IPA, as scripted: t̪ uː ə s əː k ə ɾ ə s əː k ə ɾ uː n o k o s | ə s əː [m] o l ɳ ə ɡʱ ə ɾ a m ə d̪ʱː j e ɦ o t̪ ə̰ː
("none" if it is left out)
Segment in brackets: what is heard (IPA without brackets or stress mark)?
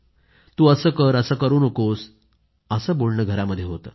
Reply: b